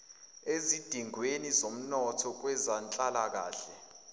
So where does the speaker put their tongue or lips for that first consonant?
tongue tip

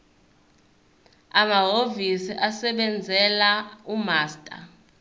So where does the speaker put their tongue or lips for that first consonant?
lips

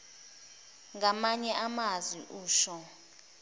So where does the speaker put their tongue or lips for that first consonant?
velum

